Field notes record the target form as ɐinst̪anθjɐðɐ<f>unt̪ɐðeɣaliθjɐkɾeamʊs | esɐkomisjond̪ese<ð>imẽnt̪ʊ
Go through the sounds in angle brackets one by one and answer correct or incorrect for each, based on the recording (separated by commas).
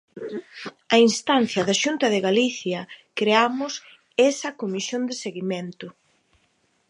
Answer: incorrect, incorrect